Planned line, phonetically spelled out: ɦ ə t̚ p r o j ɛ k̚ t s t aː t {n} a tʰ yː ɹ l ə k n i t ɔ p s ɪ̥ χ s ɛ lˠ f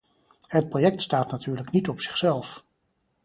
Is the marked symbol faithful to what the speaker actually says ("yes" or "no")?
yes